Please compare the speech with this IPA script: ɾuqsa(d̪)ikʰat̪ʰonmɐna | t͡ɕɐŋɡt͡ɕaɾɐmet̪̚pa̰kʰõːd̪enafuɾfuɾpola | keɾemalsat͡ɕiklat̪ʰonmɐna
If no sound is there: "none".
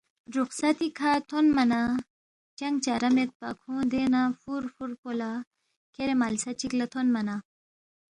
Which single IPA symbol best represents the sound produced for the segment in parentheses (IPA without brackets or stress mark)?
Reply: t̪